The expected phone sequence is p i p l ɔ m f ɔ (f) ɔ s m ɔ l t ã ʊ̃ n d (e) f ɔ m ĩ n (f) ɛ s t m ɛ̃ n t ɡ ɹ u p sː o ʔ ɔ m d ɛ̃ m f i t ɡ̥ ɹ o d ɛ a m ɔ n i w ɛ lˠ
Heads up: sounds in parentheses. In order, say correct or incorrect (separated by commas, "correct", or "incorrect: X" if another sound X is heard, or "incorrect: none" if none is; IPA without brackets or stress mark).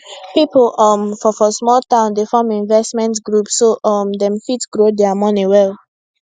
correct, correct, incorrect: v